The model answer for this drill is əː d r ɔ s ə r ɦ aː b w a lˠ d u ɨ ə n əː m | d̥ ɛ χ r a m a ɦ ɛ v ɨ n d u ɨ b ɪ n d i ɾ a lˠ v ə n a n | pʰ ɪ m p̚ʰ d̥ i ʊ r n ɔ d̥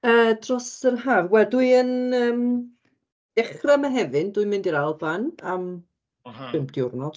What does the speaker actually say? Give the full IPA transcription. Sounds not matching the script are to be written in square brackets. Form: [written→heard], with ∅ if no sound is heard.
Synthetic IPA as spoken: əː d r ɔ s ə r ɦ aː [b→v] w [a→ɛ] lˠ d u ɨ ə n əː m | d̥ ɛ χ r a m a ɦ ɛ v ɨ n d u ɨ [b→m] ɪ n d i ɾ a lˠ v [ə→a] n a [n→m] | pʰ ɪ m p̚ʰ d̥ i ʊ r n ɔ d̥